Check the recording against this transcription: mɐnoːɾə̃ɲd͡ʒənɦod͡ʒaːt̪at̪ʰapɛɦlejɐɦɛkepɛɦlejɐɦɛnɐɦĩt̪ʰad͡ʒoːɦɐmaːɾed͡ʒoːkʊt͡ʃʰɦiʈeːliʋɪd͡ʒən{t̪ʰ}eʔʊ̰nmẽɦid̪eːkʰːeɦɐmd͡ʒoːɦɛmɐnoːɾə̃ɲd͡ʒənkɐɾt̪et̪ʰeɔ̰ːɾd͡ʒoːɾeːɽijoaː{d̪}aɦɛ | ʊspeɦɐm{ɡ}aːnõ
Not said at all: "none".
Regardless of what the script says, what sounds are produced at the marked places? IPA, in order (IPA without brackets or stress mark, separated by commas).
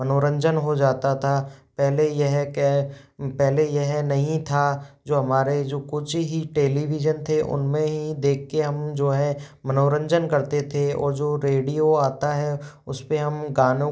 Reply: t̪ʰ, t̪, ɡ